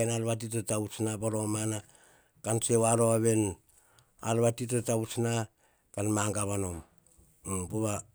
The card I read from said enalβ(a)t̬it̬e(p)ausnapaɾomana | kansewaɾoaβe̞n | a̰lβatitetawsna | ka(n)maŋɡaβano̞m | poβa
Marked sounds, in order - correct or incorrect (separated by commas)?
correct, incorrect, correct